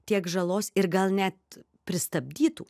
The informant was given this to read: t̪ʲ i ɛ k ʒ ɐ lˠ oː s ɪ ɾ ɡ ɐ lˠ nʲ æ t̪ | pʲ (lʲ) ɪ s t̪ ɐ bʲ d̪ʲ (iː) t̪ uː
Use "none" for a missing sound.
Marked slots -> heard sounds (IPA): ɾʲ, iː

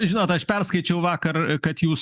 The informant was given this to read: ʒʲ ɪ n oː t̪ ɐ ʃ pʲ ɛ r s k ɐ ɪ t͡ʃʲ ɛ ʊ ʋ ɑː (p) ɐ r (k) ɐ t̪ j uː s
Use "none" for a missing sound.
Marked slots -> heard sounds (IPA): k, k

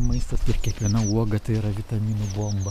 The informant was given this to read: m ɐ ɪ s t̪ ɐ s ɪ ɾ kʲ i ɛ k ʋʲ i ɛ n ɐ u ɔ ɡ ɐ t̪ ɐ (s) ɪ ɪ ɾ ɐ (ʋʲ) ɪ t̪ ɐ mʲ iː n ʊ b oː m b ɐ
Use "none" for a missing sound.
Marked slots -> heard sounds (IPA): none, ʋʲ

